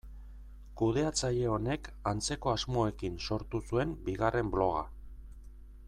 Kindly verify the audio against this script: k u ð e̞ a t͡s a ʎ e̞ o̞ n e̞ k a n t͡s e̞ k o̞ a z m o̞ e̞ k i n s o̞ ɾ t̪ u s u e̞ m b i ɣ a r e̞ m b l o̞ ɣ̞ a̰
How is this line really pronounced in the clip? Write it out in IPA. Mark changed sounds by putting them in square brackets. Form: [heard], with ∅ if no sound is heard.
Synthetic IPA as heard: k u ð e̞ a t͡s a ʎ e̞ o̞ n e̞ k a n t͡s e̞ k o̞ a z m o̞ e̞ k i n s o̞ ɾ t̪ u s u e̞ m b i ɣ a r e̞ m b l o̞ ɣ̞ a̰